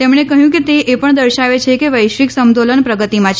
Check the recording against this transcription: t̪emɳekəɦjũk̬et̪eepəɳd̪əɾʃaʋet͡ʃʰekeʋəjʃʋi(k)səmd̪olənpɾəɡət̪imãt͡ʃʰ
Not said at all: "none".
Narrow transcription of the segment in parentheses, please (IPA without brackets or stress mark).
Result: k